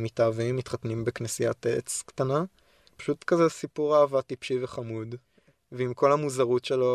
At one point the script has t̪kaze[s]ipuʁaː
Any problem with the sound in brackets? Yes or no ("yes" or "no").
no